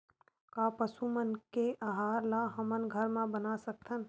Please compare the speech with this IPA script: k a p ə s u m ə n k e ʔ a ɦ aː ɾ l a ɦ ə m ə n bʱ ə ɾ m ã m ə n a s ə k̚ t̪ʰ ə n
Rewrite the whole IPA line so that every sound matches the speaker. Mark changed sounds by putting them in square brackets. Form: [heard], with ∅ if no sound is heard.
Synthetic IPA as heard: k a p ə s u m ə n k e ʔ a ɦ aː ɾ l a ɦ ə m ə n [ɡʱ] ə ɾ m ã [b] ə n a s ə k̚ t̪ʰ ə n